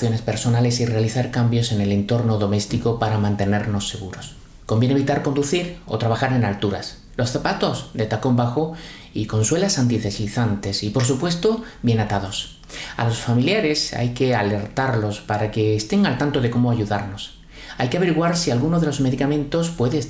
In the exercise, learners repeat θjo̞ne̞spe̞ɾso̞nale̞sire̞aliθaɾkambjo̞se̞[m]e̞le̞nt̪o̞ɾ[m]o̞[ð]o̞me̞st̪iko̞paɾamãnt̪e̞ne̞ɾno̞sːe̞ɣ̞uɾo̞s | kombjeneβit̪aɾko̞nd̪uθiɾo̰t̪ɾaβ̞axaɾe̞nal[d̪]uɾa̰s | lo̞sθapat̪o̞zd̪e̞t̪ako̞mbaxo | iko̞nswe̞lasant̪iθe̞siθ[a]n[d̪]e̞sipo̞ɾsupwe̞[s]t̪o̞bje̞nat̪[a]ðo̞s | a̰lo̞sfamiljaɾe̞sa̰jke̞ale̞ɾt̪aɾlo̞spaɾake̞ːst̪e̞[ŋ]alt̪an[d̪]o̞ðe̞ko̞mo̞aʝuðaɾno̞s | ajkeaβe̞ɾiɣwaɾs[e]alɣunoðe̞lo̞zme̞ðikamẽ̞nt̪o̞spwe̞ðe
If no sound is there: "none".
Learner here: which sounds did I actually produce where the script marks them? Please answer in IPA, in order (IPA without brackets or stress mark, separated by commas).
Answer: n, n, ð, t̪, a, t̪, s, a, ŋ, t̪, i